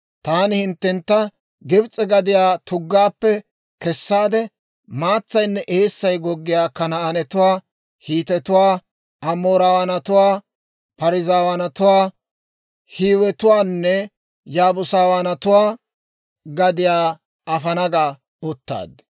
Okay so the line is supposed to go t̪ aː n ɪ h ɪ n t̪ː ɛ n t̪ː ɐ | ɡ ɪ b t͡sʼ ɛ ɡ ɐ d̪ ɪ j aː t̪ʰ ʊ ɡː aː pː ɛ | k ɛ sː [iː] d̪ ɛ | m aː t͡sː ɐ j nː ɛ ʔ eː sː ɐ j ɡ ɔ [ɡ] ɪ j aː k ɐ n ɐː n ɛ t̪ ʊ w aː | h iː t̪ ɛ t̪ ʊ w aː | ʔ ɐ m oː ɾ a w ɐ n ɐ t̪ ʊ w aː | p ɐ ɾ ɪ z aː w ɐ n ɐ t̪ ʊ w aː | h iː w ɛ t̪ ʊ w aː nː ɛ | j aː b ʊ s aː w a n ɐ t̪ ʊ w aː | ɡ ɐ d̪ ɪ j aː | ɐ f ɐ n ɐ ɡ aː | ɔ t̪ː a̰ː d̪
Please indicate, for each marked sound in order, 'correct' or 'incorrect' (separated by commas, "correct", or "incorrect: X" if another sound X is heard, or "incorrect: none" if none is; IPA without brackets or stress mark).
incorrect: aː, incorrect: ɡː